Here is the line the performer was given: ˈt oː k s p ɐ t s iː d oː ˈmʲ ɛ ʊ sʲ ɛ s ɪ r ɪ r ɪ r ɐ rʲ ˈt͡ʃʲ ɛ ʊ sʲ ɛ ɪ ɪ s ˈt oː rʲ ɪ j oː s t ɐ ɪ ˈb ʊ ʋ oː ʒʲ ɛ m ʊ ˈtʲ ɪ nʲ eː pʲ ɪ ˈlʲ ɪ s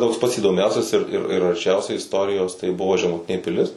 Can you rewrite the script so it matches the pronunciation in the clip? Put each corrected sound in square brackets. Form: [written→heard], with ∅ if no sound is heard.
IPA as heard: ˈt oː k s p ɐ t s iː d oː ˈmʲ ɛ ʊ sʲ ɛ s ɪ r ɪ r ɪ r ɐ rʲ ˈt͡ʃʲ ɛ ʊ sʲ ɛ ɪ ɪ s ˈt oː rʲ ɪ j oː s t ɐ ɪ ˈb ʊ ʋ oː ʒʲ ɛ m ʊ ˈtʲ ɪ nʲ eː pʲ ɪ ˈlʲ ɪ s